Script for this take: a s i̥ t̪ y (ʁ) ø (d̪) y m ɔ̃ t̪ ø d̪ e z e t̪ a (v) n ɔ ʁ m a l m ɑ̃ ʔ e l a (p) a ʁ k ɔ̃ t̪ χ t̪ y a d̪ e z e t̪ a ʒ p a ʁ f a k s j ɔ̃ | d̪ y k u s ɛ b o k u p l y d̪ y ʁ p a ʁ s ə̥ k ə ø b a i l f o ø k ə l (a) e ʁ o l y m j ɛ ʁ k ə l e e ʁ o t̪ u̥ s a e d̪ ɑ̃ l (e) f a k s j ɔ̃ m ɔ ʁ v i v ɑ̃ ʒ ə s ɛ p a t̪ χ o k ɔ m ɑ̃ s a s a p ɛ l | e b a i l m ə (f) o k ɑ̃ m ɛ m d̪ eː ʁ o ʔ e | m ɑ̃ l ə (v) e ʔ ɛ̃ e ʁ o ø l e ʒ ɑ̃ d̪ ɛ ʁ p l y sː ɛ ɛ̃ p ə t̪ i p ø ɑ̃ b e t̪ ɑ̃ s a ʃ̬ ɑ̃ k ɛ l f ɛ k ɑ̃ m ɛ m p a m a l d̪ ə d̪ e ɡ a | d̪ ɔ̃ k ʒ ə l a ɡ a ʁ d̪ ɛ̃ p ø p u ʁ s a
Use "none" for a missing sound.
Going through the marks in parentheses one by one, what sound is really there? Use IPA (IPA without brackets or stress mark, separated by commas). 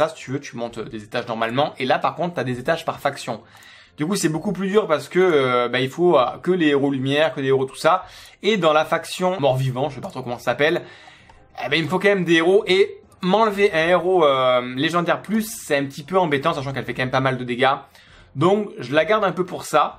v, t̪, ʒ, p, e, a, f, v